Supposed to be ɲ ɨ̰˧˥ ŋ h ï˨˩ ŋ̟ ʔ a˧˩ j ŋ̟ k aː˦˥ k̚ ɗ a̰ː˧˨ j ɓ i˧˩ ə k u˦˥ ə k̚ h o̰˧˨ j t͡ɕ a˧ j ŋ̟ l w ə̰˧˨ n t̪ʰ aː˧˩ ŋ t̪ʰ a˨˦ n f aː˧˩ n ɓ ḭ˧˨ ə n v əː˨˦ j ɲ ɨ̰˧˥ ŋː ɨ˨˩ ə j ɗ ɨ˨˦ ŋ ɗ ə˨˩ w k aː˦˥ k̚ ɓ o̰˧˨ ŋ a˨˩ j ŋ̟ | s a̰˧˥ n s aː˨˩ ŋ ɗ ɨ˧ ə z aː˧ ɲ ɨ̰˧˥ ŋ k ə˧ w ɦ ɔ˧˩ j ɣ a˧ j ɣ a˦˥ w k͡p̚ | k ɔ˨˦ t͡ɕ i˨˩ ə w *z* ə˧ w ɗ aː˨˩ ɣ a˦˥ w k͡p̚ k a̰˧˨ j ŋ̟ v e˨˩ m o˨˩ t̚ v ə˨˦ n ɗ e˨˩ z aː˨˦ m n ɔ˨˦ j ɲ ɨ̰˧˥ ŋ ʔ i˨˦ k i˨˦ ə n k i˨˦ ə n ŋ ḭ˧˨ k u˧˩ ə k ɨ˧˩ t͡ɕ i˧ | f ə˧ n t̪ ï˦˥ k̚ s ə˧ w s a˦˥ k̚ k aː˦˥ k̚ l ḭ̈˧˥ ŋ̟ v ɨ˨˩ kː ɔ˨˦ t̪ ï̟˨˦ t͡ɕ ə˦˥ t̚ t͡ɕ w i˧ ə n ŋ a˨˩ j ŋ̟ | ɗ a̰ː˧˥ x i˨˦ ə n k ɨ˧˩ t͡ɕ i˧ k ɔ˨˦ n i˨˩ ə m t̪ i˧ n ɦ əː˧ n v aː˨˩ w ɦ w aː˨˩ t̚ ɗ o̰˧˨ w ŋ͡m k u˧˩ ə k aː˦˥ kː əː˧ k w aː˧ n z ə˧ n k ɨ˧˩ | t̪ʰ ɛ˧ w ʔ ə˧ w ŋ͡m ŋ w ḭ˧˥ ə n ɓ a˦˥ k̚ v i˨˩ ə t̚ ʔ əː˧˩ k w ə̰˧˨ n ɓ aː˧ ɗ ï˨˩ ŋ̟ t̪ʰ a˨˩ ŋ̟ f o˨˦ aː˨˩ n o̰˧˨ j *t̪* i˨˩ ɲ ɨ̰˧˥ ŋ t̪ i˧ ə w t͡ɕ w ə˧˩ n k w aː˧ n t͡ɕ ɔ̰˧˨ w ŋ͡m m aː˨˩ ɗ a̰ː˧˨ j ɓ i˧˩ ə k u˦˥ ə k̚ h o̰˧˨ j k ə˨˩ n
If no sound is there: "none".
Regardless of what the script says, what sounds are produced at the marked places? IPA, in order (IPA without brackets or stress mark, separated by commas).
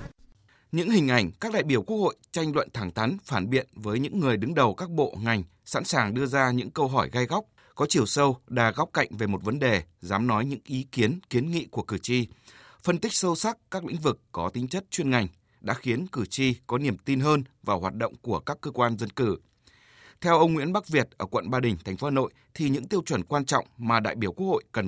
s, t̪ʰ